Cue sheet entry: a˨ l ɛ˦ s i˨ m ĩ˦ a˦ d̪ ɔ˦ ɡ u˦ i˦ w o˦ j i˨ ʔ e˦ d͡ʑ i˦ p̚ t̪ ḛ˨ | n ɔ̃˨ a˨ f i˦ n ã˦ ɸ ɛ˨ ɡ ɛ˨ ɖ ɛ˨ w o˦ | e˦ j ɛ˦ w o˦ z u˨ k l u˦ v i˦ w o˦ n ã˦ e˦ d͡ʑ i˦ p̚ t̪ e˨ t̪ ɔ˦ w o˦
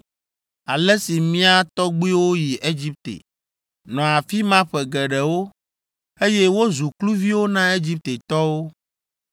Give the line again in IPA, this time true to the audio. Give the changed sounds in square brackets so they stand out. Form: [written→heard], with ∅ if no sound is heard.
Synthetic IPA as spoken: a˨ l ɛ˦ s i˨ m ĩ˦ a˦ [d̪→t̪] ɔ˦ [ɡ→ɡ͡b] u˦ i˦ w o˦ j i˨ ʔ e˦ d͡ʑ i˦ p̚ t̪ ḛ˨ | n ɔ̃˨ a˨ f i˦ [n→m] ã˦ ɸ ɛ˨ ɡ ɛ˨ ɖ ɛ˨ w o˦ | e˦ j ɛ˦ w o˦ z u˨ k l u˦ v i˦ w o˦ n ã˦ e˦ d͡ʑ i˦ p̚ t̪ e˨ t̪ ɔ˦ w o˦